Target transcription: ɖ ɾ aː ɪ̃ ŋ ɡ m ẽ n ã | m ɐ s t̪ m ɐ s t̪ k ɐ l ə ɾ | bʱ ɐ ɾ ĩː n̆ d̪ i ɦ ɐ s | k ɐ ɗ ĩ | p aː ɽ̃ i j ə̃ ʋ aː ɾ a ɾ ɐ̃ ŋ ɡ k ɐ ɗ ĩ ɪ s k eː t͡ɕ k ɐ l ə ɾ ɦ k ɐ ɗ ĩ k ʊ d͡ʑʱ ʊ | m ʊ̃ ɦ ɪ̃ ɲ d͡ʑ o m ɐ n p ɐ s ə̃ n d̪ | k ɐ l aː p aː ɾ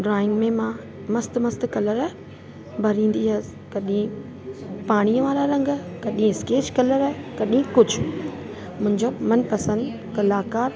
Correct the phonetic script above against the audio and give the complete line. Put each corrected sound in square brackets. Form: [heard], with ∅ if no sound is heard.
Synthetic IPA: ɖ ɾ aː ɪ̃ ŋ ɡ m ẽ [m] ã | m ɐ s t̪ m ɐ s t̪ k ɐ l ə ɾ | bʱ ɐ ɾ ĩː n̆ d̪ i ɦ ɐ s | k ɐ ɗ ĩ | p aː ɽ̃ i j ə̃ ʋ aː ɾ a ɾ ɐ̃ ŋ ɡ k ɐ ɗ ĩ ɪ s k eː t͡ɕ k ɐ l ə ɾ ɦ k ɐ ɗ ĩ k ʊ d͡ʑʱ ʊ | m ʊ̃ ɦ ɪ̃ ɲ d͡ʑ o m ɐ n p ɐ s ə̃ n d̪ | k ɐ l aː [k] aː ɾ